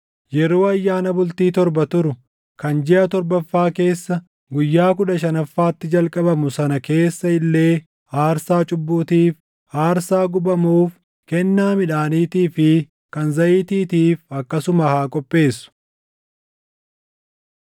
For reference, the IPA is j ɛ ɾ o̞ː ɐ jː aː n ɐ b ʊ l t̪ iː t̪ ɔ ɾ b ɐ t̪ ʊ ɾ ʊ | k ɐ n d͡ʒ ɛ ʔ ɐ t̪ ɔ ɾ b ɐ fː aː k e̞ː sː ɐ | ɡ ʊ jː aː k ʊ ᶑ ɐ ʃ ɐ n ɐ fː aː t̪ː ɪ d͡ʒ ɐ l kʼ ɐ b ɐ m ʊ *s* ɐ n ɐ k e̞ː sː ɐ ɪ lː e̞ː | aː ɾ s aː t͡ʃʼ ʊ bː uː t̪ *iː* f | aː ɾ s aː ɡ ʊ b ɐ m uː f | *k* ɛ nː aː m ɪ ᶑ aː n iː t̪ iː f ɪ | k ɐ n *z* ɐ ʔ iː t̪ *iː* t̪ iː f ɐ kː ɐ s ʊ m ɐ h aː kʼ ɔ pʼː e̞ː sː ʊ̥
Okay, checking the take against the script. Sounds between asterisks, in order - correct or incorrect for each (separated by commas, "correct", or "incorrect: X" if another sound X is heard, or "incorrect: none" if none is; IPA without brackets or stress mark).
correct, correct, correct, correct, correct